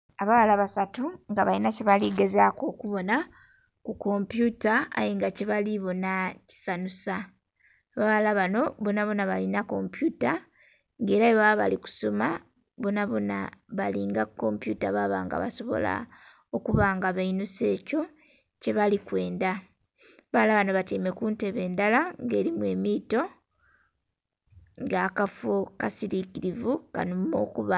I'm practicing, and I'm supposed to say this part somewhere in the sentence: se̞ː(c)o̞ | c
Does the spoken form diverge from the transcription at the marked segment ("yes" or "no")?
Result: no